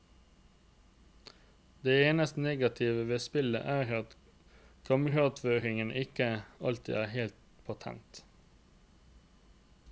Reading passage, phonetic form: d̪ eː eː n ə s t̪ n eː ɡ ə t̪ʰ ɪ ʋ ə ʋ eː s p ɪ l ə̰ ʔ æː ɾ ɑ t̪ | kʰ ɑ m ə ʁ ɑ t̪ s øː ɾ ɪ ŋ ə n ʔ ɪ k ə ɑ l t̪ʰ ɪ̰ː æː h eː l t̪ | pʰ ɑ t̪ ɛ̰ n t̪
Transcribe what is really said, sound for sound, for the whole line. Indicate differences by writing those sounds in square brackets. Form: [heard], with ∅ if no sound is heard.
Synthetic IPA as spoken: d̪ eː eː n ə s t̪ n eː ɡ [ɑ] t̪ʰ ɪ ʋ ə ʋ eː s p ɪ l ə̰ ʔ æː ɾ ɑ t̪ | kʰ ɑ m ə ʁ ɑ t̪ [f] øː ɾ ɪ ŋ ə n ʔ ɪ k ə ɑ l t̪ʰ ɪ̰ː æː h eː l t̪ | pʰ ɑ [t̪ʰ] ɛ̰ n t̪